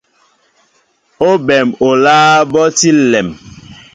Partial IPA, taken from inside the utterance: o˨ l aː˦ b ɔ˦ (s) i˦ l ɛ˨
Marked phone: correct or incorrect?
incorrect